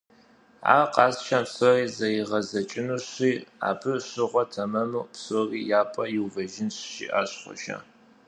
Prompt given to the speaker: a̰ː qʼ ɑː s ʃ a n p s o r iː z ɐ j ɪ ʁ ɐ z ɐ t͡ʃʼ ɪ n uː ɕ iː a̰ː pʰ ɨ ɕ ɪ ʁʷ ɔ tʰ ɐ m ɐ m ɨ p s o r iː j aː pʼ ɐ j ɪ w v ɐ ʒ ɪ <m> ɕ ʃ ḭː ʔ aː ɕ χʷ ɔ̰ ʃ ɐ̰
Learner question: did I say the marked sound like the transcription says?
no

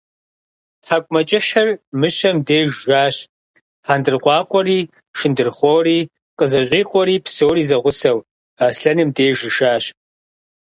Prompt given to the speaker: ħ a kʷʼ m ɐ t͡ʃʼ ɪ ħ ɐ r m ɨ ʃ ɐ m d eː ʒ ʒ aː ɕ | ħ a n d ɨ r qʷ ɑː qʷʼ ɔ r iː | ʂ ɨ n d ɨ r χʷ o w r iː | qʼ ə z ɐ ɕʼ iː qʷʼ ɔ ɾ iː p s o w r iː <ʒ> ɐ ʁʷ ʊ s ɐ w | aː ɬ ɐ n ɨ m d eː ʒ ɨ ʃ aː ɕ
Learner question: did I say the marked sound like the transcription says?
no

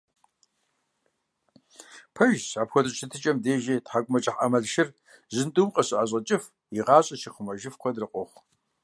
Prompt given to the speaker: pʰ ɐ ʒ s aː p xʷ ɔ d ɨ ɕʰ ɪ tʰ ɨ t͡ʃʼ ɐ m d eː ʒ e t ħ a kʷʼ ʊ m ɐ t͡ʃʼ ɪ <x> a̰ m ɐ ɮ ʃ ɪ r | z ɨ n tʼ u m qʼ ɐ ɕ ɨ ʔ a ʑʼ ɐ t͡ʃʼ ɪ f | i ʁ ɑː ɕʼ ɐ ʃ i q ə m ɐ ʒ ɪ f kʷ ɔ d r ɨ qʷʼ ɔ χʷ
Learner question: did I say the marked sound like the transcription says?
no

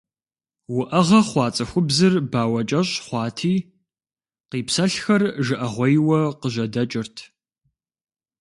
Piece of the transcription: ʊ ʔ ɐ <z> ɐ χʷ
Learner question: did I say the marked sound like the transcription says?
no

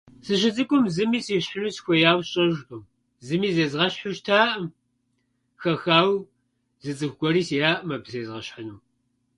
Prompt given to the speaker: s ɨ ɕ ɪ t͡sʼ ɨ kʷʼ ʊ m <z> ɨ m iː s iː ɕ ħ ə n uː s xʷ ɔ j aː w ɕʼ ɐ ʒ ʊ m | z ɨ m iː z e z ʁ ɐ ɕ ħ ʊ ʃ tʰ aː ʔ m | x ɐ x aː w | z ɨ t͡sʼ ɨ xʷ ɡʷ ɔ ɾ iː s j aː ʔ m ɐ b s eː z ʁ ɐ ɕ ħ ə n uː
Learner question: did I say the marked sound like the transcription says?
yes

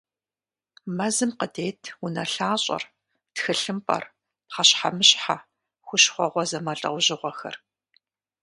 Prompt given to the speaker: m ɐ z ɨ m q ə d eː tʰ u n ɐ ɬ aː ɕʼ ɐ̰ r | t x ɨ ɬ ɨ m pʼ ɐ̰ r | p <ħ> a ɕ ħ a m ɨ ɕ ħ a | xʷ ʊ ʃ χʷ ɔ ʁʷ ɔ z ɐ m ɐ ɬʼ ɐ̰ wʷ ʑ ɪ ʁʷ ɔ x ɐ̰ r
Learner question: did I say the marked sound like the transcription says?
no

